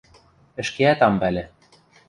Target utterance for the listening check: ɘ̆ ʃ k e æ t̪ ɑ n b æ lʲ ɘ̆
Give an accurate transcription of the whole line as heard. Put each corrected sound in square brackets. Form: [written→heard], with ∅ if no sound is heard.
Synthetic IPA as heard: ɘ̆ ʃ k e æ t̪ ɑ [n→m] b æ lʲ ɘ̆

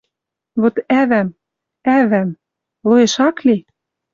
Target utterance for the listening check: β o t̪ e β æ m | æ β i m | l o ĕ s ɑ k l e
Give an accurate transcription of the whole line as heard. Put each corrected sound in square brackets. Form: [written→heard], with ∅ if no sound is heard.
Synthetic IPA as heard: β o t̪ [e→æ] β æ m | æ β [i→æ] m | l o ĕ [s→ʃ] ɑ k l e

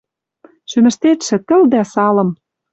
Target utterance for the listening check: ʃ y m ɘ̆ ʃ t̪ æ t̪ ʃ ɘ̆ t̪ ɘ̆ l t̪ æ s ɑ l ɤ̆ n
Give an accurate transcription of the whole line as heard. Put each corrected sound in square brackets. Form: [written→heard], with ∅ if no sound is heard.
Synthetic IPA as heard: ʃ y m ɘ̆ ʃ t̪ [æ→e] t̪ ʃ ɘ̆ t̪ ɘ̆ l [t̪→d̪] æ s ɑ l ɤ̆ [n→m]

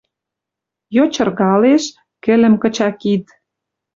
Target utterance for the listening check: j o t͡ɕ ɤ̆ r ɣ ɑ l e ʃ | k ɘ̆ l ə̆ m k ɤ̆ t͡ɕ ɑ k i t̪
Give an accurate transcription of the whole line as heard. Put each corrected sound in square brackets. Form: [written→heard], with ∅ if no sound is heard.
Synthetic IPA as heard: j o t͡ɕ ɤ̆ r ɣ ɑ l e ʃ | k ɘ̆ l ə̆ m k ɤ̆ t͡ɕ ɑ k i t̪

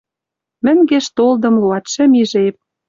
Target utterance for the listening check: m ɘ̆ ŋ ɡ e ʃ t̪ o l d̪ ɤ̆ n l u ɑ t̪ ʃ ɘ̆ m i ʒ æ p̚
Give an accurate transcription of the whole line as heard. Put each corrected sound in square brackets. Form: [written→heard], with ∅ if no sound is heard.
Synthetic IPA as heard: m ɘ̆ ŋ ɡ e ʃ t̪ o l d̪ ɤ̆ [n→m] l u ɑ t̪ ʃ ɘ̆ m i ʒ [æ→e] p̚

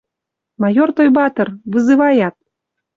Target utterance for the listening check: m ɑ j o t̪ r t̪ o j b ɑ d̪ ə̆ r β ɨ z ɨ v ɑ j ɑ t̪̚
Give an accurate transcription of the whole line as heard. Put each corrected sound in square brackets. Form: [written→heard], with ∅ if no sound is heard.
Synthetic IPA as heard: m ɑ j o [t̪→∅] r t̪ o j b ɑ [d̪→t̪] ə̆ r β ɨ z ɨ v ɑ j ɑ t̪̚

